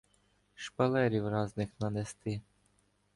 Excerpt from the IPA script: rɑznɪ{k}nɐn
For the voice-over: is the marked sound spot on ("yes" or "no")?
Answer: no